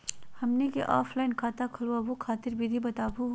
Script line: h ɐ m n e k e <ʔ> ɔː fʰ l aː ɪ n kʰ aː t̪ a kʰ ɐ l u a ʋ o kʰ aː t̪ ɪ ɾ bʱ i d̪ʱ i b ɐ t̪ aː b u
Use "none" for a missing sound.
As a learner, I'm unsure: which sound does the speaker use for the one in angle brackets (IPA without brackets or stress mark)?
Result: ʔ